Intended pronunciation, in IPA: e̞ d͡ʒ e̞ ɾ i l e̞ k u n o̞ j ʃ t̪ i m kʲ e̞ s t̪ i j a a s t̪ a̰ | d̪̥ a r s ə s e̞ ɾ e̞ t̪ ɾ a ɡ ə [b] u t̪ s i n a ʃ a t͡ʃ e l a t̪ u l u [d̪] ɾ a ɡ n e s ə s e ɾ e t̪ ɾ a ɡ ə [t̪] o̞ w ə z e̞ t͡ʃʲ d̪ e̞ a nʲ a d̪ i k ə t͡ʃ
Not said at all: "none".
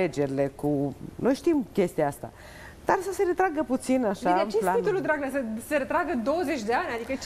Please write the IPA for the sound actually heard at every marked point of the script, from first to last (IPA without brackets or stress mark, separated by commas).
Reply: p, d̪, d̪